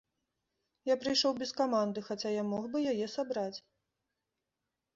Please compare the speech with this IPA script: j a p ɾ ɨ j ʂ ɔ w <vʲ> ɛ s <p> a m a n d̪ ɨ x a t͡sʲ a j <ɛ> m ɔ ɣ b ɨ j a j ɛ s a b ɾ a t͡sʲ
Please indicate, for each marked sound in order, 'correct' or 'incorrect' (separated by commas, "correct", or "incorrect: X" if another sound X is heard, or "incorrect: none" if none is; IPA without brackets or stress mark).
incorrect: bʲ, incorrect: k, incorrect: a